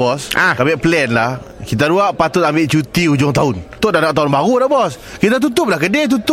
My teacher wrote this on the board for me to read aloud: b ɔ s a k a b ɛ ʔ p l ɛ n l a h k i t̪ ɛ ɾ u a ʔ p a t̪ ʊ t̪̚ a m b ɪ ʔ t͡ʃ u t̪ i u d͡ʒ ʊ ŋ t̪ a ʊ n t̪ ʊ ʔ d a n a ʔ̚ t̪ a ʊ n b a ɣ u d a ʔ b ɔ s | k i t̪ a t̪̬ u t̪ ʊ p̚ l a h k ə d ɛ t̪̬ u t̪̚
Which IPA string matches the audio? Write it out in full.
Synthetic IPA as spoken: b ɔ s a k a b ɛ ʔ p l ɛ n l a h k i t̪ a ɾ u a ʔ p a t̪ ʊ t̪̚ a m b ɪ ʔ t͡ʃ u t̪ i u d͡ʒ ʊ ŋ t̪ a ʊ n t̪ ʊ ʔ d a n a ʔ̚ t̪ a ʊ n b a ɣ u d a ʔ b ɔ s | k i t̪ a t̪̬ u t̪ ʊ p̚ l a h k ə d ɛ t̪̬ u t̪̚